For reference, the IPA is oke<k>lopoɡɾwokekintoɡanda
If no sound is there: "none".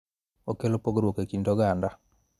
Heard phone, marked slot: none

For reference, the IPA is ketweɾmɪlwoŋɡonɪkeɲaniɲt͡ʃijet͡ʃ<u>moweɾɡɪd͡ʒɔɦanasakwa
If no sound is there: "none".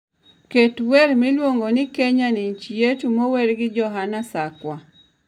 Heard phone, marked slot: u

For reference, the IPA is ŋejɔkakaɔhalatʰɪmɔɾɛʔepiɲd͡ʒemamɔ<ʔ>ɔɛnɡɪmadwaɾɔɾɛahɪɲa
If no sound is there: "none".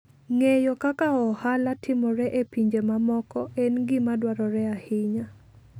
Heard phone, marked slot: k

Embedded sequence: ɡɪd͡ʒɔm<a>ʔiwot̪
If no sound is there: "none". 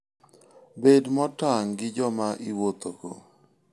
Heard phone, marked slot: a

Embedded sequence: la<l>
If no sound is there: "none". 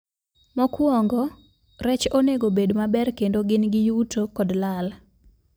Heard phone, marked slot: l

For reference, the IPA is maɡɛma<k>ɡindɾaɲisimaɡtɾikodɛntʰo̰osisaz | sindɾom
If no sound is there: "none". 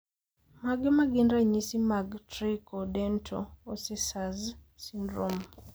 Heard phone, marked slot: none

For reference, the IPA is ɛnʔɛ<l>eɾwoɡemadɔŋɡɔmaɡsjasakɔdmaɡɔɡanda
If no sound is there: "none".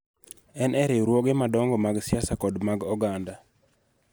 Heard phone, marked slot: ɾ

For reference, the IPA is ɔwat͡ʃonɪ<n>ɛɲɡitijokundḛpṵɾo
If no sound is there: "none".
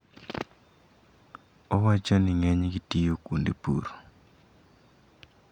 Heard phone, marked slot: ŋ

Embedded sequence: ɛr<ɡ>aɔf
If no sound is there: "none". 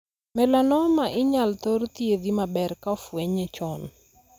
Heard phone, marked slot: k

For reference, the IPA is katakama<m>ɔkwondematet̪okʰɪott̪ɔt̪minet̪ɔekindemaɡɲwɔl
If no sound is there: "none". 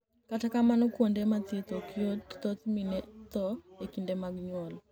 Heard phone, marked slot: n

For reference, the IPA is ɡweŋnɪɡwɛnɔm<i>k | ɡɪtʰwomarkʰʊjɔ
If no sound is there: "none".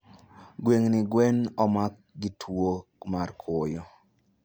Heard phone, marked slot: a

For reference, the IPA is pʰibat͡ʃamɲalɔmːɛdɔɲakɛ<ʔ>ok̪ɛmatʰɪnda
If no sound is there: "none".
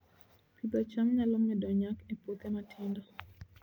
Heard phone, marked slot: p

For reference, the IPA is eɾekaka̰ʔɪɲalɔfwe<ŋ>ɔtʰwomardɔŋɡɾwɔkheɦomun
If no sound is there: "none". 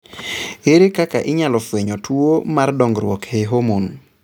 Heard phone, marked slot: ɲ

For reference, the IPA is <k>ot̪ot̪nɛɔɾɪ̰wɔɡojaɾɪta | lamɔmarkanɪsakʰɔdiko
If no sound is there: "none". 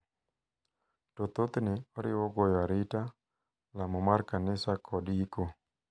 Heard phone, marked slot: t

